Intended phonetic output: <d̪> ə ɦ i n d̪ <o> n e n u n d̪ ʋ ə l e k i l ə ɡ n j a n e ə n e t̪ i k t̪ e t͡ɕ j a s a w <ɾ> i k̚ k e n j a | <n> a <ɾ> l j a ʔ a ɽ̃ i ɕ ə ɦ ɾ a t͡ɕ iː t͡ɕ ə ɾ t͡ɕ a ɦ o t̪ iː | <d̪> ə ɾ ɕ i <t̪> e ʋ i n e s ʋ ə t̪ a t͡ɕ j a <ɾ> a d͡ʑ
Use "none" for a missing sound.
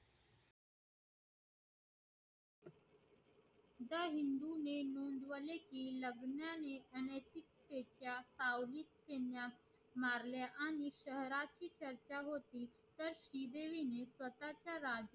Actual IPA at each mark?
d̪, u, l, m, ɾ, t̪, d̪, ɾ

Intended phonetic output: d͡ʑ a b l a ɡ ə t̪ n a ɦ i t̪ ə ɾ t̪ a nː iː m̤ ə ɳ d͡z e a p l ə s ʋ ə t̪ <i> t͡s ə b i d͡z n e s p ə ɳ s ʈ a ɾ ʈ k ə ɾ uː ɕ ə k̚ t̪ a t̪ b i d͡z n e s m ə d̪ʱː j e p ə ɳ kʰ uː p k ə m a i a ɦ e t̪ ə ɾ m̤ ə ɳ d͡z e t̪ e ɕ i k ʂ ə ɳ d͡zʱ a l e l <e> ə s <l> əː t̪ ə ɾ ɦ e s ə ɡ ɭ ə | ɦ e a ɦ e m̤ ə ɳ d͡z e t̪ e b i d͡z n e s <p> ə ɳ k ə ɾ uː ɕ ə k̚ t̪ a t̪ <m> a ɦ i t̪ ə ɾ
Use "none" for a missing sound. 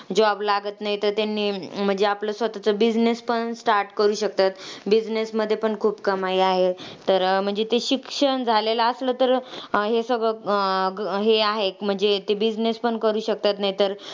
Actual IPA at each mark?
a, a, l, p, n

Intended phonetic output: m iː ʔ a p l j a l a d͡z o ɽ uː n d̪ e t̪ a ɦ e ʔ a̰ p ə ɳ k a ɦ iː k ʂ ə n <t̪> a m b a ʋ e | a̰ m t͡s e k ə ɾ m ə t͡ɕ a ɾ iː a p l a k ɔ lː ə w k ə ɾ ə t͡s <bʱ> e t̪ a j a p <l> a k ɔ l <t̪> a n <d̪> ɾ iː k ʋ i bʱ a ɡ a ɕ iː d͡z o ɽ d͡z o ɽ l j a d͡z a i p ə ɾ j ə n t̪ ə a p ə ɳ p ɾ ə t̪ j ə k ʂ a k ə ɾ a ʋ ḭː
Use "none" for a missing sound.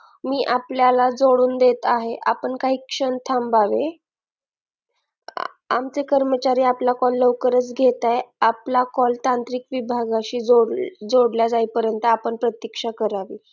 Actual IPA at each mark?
t̪ʰ, ɡʱ, l, t̪, t̪

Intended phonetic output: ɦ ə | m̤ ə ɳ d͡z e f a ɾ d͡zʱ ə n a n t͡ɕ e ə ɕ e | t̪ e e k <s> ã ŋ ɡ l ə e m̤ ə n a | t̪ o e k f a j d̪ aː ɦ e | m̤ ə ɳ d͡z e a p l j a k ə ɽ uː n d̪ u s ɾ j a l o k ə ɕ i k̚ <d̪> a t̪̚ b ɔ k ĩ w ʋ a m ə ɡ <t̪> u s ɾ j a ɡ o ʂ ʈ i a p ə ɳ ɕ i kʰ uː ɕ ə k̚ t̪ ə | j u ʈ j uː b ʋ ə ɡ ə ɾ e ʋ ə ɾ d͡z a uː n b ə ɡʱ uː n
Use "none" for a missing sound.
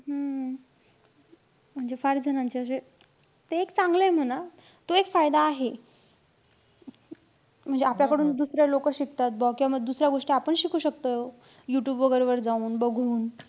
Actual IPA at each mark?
t͡s, t̪, d̪

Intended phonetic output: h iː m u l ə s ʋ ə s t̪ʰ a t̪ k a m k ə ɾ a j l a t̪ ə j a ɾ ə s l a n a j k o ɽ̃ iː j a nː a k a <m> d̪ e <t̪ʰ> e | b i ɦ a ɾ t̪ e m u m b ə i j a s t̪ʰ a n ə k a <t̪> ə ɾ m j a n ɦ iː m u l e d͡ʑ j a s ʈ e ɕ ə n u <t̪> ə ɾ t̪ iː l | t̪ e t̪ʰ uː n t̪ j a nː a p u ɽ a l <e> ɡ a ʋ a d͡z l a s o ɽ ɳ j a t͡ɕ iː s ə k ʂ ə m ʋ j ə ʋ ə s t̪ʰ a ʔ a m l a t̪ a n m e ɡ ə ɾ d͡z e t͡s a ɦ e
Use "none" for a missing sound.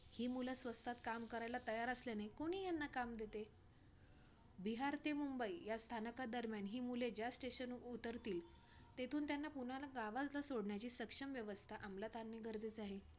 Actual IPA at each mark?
m, t̪, d̪, t̪, a

